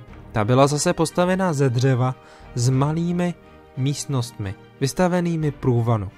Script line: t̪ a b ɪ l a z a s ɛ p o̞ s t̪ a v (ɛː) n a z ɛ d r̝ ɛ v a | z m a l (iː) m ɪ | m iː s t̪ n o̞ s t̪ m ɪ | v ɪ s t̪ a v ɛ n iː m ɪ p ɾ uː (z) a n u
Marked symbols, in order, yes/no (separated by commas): no, yes, no